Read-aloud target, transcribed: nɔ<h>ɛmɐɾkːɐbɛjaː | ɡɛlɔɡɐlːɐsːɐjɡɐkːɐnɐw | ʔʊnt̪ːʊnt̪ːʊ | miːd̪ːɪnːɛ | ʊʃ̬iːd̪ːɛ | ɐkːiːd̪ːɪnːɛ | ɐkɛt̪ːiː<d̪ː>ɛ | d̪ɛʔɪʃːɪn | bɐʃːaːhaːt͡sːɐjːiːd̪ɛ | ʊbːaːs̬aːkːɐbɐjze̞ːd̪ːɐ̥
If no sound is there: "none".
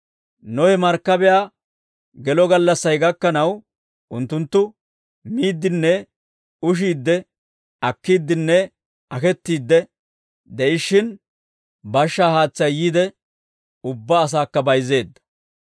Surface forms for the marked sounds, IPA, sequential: h, d̪ː

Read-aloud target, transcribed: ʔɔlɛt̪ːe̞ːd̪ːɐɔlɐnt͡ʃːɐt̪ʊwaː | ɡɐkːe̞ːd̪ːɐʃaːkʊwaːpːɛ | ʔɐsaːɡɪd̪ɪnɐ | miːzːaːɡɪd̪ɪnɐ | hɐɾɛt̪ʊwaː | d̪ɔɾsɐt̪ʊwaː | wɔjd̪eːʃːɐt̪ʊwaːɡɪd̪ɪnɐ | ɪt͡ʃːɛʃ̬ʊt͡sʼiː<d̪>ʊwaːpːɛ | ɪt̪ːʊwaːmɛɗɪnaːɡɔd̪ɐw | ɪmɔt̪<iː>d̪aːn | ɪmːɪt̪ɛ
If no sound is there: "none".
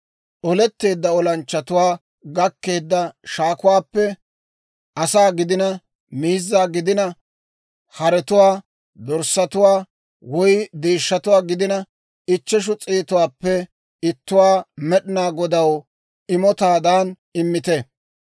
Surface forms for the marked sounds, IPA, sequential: t̪, aː

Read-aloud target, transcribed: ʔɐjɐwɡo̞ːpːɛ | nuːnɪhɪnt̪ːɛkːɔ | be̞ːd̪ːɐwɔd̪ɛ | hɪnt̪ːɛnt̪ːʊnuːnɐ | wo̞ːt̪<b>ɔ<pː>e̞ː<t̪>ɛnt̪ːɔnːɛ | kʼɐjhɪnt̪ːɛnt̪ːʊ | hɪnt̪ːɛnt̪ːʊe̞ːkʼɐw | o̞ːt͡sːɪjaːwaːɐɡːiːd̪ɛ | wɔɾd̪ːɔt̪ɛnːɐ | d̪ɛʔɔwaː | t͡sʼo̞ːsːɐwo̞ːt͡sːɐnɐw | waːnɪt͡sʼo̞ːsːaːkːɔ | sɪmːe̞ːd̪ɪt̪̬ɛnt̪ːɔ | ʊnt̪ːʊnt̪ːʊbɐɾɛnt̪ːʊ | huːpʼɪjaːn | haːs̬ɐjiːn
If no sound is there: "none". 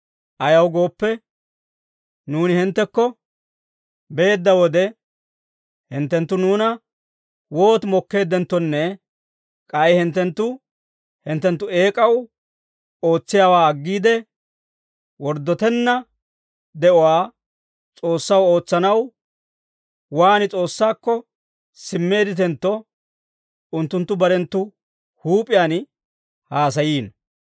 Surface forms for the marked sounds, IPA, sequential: m, kː, d̪

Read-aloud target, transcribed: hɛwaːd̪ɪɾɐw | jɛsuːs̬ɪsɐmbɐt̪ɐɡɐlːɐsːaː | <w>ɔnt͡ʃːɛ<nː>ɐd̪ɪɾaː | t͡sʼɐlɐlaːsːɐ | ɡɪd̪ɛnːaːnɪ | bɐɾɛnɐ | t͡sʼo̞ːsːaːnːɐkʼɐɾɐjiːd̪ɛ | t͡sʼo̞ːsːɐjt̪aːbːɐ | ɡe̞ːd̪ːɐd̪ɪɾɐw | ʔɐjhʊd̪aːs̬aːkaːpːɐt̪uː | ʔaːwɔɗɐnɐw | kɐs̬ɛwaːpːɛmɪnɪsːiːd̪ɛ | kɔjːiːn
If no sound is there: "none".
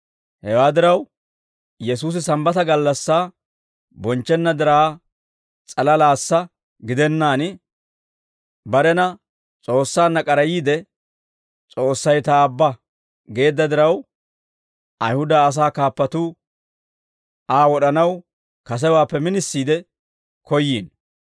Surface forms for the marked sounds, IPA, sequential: b, nː

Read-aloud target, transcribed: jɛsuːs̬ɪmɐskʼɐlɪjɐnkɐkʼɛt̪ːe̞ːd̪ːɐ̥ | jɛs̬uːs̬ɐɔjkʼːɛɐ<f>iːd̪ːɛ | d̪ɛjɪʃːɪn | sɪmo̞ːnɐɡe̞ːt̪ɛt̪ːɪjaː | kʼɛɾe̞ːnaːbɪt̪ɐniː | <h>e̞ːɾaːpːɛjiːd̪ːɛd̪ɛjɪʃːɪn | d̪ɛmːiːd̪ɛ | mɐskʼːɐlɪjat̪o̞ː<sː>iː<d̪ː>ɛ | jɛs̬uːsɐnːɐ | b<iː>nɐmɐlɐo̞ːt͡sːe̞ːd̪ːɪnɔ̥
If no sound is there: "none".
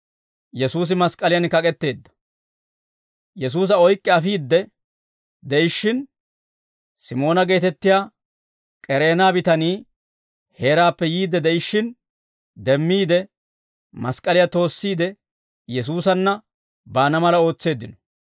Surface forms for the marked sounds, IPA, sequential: f, h, sː, d̪, aː

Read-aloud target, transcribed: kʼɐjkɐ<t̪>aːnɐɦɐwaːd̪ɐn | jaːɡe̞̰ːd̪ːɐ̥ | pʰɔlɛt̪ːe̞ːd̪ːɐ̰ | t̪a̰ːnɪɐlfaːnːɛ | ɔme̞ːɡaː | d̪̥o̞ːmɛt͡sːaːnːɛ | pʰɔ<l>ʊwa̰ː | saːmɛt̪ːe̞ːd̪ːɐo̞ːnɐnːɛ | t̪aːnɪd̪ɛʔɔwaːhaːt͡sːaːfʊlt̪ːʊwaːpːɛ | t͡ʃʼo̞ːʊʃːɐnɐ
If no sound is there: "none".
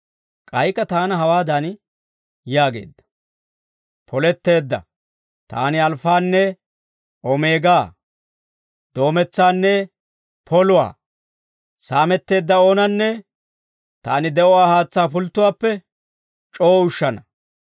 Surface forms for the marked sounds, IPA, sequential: t̪, l

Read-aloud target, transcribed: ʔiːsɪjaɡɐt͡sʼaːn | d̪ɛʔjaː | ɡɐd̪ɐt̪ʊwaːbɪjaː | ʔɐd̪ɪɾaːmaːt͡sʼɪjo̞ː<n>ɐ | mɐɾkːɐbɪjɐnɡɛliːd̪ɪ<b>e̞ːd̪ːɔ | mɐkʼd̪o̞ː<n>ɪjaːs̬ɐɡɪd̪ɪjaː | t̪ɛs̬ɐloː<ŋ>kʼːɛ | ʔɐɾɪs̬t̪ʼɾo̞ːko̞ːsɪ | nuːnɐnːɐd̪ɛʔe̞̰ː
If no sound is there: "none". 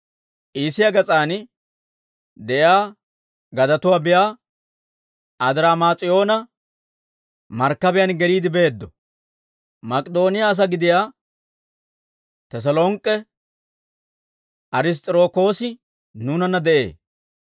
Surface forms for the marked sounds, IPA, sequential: n, b, n, ŋ

